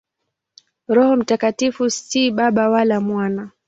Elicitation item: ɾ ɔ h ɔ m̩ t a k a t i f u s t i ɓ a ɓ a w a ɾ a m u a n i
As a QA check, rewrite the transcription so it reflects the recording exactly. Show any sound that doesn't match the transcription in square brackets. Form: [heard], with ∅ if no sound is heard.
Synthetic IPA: ɾ ɔ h ɔ m̩ t a k a t i f u s t i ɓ a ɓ a w a [l] a m [w] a n [a]